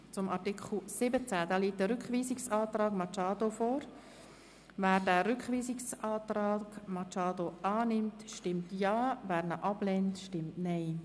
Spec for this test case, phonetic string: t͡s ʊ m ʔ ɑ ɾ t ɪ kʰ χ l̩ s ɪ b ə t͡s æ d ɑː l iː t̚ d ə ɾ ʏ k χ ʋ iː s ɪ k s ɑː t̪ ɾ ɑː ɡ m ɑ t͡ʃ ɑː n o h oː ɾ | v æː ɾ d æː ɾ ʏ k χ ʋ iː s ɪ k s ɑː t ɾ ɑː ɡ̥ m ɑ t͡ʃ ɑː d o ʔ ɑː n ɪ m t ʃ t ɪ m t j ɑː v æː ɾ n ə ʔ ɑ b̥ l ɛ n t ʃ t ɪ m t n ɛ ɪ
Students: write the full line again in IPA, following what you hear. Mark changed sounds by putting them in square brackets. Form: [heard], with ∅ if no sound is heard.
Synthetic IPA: t͡s ʊ m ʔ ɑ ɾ t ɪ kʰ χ l̩ s ɪ b ə t͡s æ d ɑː l iː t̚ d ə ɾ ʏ k χ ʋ iː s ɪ k s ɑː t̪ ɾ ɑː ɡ m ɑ t͡ʃ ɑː [d] o [f] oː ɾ | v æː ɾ d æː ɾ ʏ k χ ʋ iː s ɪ k s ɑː t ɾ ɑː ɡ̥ m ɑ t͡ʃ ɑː d o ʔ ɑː n ɪ m t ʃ t ɪ m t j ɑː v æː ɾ n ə ʔ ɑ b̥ l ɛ n t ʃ t ɪ m t n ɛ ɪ